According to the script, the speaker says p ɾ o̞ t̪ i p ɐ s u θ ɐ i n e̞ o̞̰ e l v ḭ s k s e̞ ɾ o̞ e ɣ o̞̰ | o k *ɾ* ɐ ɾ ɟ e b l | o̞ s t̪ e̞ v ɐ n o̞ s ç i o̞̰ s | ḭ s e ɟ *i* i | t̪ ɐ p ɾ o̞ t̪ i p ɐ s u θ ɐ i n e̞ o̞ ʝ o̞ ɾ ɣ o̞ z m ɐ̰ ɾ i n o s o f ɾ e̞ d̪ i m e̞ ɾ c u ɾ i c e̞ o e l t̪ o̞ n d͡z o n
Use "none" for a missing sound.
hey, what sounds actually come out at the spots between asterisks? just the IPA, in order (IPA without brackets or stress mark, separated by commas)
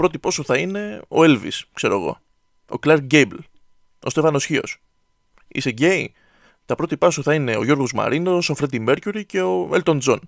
l, e